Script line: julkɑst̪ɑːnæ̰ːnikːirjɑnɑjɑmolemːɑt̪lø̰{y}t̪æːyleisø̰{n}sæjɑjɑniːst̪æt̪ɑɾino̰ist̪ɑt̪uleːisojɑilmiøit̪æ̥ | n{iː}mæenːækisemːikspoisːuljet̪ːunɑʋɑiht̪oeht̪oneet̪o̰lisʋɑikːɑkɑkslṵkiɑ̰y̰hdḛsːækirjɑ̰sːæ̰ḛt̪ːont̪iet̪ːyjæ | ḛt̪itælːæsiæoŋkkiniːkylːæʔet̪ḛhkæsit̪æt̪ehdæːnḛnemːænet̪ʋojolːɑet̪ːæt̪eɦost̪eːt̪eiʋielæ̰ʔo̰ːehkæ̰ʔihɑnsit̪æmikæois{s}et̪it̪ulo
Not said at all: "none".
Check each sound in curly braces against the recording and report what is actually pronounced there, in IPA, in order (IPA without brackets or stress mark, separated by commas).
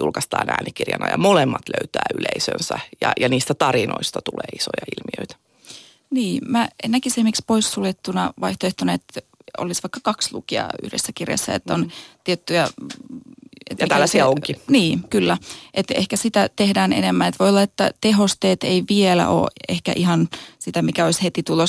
y, n, iː, h